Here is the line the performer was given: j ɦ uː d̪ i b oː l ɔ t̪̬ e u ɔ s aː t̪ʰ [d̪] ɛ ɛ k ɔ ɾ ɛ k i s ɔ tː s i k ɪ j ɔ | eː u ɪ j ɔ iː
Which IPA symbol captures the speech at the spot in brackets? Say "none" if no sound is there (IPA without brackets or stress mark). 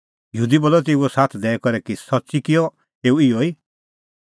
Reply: d̪